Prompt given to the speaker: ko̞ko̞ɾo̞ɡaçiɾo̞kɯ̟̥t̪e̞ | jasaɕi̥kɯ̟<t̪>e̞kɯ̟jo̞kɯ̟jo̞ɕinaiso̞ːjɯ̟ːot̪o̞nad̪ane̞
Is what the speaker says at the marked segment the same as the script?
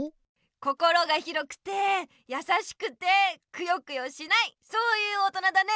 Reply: yes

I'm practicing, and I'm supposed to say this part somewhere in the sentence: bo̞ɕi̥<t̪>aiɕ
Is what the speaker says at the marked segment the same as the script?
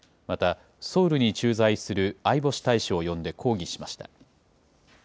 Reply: yes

